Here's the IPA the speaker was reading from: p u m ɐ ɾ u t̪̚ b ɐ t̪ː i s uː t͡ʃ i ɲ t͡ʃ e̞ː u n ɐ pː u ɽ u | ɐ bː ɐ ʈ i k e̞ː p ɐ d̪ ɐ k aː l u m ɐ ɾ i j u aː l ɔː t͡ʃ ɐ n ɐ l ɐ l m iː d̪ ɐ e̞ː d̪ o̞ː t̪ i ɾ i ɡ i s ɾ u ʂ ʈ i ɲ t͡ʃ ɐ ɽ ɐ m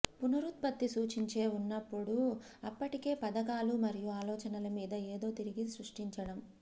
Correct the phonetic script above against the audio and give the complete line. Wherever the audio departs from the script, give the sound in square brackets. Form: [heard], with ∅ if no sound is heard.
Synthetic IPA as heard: p u [n] ɐ ɾ u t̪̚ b ɐ t̪ː i s uː t͡ʃ i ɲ t͡ʃ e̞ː u [nː] ɐ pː u ɽ u | ɐ [pː] ɐ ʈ i k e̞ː p ɐ d̪ ɐ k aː l u m ɐ ɾ i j u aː l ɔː t͡ʃ ɐ n ɐ l ɐ [∅] m iː d̪ ɐ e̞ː d̪ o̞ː t̪ i ɾ i ɡ i s ɾ u ʂ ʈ i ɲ t͡ʃ ɐ ɽ ɐ m